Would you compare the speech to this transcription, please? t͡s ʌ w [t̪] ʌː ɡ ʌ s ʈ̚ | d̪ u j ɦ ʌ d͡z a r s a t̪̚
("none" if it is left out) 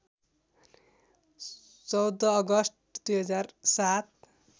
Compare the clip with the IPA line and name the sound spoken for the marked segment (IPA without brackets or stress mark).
d̪